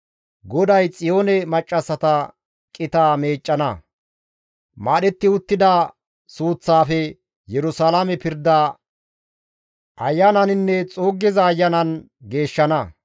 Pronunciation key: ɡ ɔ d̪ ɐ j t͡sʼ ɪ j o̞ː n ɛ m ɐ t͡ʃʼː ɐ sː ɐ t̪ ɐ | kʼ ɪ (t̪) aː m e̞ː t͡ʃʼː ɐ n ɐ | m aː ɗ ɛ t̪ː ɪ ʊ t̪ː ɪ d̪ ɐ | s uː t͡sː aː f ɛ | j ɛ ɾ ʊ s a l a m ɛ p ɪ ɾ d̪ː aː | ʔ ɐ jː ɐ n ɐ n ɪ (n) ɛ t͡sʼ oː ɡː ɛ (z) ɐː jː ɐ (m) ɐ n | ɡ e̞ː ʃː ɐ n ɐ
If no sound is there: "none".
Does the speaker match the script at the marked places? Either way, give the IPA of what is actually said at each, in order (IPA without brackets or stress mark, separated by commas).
t̪, nː, z, n